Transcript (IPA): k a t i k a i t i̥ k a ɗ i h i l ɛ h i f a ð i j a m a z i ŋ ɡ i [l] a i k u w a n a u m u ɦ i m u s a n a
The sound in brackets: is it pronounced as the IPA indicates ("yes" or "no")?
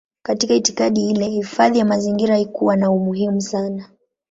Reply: no